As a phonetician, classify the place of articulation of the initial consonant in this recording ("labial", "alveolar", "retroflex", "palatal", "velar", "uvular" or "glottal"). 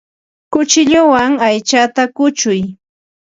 velar